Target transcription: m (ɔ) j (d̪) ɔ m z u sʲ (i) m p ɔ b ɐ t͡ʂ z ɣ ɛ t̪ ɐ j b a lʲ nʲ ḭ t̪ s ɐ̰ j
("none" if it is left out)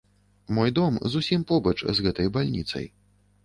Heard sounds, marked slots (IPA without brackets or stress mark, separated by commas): ɔ, d̪, i